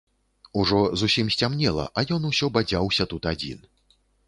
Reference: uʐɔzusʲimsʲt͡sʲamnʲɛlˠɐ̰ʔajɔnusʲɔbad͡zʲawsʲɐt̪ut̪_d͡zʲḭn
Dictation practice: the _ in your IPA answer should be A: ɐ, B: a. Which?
B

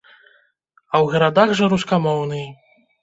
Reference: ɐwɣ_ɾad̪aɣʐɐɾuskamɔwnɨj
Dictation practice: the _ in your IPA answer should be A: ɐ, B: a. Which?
A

